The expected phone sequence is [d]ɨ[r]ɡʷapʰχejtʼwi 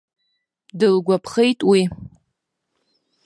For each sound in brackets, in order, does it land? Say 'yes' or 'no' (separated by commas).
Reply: yes, no